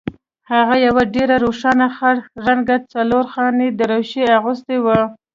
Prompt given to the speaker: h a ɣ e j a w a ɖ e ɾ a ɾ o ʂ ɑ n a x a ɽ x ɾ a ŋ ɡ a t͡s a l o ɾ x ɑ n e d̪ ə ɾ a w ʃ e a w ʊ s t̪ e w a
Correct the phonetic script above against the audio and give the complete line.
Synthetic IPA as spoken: h a ɣ a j a w a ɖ e ɾ a ɾ o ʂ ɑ n a x a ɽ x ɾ a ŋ ɡ a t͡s a l o ɾ x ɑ n e d̪ ə ɾ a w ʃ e a ɣ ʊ s t̪ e w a